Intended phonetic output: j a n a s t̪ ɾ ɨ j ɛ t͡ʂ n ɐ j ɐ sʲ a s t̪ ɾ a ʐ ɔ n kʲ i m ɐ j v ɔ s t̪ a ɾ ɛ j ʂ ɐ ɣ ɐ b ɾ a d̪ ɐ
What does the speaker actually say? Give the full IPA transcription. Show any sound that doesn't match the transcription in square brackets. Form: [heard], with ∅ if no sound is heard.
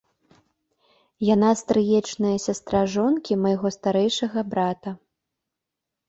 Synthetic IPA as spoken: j a n a s t̪ ɾ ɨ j ɛ t͡ʂ n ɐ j ɐ sʲ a s t̪ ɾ a ʐ ɔ n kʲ i m ɐ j [ɣ] ɔ s t̪ a ɾ ɛ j ʂ ɐ ɣ ɐ b ɾ a [t̪] ɐ